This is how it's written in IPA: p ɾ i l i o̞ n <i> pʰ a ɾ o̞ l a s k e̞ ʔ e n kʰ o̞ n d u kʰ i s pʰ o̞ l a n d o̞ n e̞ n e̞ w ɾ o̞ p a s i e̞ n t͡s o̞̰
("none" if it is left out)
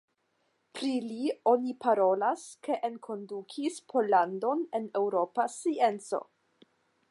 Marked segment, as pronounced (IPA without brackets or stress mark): i